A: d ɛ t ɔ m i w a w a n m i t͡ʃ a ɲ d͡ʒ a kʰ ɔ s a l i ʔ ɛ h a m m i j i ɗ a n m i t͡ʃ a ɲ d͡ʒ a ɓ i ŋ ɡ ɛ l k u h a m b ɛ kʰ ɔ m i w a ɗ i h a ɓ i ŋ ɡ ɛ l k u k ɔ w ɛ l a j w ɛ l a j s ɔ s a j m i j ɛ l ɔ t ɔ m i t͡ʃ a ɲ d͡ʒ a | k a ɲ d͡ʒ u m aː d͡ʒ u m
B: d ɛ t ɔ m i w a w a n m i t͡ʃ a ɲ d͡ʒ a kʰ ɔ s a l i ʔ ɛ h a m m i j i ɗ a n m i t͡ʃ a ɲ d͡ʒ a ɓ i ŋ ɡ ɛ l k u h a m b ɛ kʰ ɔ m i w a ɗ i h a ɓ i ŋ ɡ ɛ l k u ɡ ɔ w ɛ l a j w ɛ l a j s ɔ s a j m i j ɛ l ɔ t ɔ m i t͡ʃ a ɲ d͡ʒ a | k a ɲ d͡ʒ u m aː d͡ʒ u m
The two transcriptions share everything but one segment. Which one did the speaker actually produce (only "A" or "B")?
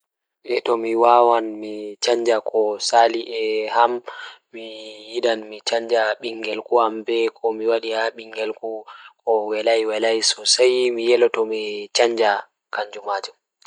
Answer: A